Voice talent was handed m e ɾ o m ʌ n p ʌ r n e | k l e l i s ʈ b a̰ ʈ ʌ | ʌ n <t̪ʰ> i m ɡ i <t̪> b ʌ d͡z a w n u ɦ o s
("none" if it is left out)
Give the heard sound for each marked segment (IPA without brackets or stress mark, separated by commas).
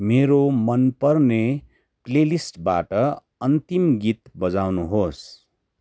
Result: t̪, t̪